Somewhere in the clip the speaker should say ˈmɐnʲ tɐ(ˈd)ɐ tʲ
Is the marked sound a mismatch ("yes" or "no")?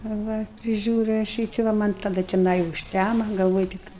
no